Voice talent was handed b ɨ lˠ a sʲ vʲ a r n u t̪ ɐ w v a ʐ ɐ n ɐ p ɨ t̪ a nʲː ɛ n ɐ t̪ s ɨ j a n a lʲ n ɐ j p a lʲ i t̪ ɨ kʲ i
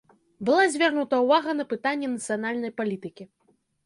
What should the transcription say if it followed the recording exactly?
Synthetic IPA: b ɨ lˠ a zʲ vʲ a r n u t̪ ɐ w v a ɣ ɐ n ɐ p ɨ t̪ a nʲː ɛ n ɐ t̪ s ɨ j a n a lʲ n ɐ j p a lʲ i t̪ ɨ kʲ i